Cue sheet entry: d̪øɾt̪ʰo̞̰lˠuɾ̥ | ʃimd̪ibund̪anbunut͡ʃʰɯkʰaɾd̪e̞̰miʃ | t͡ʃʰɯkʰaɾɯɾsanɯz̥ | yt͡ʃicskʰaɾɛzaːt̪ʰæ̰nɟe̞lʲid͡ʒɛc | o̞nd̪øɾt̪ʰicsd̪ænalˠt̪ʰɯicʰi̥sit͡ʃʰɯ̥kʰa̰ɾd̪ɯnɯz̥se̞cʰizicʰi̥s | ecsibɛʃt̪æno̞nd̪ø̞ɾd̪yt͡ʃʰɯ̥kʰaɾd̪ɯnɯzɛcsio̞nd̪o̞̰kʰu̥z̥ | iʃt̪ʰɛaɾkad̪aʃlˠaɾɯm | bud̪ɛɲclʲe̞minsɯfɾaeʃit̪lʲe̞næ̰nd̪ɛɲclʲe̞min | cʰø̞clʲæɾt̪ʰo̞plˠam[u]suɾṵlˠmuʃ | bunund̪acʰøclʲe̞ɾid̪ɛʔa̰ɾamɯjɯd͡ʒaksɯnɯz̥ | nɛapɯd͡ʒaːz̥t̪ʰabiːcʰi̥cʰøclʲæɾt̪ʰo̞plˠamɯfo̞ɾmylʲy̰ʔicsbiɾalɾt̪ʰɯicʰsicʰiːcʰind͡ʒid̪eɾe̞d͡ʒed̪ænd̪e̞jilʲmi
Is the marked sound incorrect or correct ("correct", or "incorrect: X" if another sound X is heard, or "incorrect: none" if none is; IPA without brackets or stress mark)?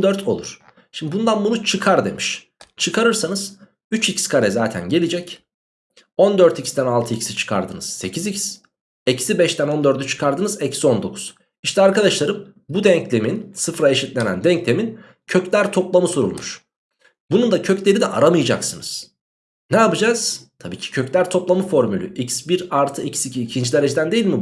incorrect: ɯ